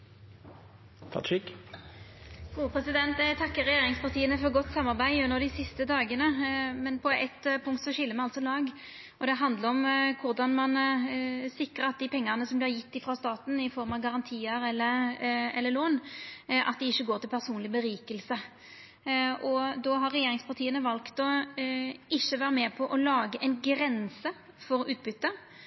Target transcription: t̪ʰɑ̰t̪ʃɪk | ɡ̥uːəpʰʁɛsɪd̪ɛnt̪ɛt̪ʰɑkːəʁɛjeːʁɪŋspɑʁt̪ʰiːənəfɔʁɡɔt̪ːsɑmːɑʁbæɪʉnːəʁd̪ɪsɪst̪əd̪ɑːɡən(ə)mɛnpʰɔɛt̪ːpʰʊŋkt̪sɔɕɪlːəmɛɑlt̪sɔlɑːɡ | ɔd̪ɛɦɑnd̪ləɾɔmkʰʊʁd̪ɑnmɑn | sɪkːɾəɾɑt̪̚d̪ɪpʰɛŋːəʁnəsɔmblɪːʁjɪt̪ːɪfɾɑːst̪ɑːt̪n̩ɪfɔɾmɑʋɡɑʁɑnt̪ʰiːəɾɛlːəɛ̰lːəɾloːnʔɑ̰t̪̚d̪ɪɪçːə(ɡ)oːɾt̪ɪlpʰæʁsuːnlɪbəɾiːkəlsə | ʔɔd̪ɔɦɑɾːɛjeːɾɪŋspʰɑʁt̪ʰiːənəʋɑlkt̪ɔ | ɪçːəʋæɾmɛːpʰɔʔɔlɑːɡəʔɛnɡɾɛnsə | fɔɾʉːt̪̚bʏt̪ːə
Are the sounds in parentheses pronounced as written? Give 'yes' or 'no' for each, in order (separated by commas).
yes, yes